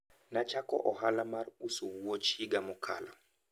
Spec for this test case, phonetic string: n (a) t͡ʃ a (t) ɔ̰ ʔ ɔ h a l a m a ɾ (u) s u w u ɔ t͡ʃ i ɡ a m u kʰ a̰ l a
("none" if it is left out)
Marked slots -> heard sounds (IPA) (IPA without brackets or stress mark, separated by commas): a, k, u